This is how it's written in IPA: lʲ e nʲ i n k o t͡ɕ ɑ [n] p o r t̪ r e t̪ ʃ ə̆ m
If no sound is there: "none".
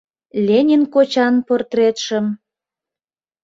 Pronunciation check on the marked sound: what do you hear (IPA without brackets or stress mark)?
n